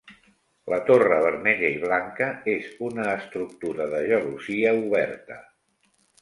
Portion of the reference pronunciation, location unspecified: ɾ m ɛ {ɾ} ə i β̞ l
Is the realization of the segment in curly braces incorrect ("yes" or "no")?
yes